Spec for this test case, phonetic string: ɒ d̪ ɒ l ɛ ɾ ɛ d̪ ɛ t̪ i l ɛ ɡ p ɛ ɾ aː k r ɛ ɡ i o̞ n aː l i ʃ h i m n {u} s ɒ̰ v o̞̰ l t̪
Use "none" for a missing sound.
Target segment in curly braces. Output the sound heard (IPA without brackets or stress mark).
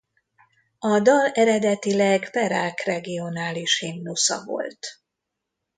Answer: u